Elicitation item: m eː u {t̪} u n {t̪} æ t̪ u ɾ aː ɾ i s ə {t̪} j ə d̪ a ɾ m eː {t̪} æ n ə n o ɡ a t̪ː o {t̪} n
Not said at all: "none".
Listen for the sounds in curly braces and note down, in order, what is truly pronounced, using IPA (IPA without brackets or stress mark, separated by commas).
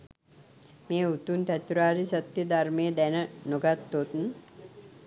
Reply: t̪, t̪, t̪, d̪, t̪